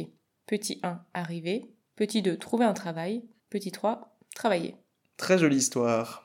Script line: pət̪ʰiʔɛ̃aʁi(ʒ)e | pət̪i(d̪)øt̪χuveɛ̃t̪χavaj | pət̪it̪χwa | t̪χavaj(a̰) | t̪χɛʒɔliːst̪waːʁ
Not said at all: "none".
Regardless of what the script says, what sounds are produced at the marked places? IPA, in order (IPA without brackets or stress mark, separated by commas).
v, d̪, ḛ